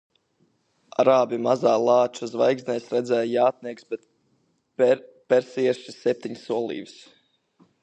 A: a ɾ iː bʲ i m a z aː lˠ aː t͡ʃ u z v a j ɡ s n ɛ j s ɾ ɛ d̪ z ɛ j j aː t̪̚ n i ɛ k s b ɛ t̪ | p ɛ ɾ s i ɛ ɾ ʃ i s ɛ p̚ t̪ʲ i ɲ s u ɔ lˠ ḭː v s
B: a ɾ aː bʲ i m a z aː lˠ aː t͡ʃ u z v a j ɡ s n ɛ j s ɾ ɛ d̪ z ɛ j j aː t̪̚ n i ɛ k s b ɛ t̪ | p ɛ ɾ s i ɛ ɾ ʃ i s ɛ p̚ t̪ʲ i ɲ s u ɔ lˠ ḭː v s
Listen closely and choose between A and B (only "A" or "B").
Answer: B